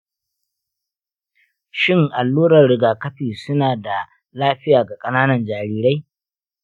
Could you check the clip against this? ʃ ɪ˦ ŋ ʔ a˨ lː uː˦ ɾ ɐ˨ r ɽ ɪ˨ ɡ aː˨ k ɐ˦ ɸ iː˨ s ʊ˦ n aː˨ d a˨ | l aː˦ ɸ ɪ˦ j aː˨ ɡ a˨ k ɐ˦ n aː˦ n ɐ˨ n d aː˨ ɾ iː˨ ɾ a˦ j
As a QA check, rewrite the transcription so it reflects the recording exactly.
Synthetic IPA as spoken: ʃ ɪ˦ ŋ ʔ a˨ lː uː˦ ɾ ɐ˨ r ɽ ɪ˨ ɡ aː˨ k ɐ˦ ɸ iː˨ s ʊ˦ n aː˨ d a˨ | l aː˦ ɸ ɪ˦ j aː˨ ɡ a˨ kʼ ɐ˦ n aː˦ n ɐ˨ n d͡ʒ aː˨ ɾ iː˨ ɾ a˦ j